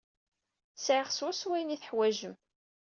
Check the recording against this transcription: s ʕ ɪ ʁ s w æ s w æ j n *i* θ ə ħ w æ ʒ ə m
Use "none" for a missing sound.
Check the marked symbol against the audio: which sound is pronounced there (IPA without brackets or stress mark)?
i